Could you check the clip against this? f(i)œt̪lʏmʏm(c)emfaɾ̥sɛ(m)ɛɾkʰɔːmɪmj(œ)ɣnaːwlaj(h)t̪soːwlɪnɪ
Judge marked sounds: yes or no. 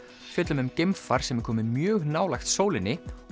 no, yes, yes, no, no

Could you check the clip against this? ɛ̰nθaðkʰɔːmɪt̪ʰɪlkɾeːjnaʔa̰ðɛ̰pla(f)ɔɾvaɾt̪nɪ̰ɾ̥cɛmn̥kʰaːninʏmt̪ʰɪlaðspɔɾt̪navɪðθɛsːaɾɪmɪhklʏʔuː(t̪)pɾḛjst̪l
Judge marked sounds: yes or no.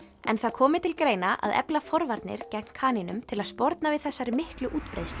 yes, yes

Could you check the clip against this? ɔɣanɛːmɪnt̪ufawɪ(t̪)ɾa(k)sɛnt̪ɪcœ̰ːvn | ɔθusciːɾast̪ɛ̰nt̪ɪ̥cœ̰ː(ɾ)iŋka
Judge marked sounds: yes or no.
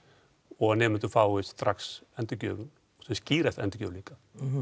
yes, yes, no

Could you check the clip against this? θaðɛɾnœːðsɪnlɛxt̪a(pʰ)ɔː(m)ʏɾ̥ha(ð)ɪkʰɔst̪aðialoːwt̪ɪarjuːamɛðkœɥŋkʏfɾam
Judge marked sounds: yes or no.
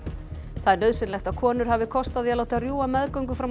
no, no, no

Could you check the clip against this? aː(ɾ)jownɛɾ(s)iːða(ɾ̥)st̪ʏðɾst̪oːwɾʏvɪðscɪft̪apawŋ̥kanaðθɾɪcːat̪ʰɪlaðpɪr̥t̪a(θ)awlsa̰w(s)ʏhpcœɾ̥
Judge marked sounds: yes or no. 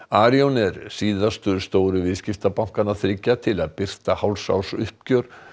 yes, yes, no, no, yes

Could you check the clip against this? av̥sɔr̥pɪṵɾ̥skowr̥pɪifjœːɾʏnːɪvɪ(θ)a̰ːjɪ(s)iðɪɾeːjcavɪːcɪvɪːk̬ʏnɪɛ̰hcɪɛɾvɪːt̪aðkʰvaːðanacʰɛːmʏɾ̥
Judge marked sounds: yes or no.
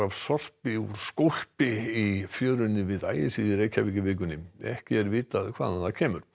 no, yes

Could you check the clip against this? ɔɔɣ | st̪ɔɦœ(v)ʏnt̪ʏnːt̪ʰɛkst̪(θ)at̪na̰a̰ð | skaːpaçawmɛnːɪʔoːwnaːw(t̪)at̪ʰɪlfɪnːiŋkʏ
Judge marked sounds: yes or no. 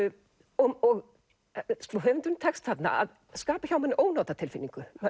yes, yes, yes

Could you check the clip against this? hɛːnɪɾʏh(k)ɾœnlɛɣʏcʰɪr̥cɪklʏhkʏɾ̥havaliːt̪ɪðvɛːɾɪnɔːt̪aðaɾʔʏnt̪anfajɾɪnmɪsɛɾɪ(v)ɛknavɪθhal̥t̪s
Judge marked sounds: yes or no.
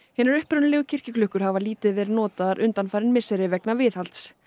no, yes

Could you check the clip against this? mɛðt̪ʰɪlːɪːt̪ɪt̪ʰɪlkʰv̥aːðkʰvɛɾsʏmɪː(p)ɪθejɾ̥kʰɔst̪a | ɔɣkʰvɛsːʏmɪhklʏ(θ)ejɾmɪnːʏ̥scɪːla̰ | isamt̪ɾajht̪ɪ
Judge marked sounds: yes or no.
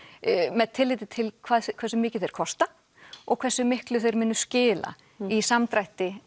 no, yes

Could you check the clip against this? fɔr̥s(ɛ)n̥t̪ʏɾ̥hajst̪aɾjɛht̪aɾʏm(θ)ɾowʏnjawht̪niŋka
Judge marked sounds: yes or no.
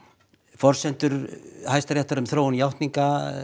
yes, yes

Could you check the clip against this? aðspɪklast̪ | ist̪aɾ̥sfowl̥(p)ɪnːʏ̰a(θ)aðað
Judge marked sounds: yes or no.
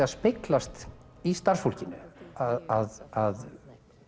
no, no

